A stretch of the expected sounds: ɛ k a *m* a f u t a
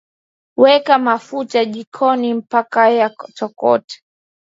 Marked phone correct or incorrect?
correct